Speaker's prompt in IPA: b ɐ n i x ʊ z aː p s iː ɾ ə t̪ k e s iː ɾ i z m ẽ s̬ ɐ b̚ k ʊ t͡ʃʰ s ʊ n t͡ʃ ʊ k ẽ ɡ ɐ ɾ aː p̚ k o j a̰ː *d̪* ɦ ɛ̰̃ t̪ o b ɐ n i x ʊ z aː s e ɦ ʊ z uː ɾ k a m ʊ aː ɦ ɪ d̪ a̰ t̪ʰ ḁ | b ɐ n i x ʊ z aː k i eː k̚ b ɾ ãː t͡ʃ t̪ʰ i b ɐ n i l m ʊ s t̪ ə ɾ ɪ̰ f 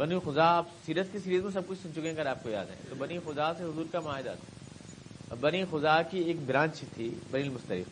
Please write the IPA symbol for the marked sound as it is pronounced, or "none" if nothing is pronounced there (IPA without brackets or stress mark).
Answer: d̪